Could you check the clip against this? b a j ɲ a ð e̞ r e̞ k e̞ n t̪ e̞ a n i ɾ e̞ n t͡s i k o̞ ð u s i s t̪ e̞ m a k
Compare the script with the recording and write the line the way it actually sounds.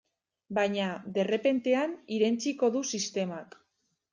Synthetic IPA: b a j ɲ a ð e̞ r e̞ p e̞ n t̪ e̞ a n i ɾ e̞ n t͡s i k o̞ ð u s i s t̪ e̞ m a k